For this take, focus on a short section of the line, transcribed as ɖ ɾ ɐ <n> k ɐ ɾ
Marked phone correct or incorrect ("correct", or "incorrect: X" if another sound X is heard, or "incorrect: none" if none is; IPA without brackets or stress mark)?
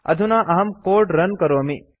correct